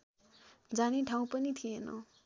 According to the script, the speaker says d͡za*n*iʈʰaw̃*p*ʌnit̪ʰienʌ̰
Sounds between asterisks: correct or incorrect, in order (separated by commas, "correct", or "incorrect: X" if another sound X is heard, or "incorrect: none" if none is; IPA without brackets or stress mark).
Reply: correct, correct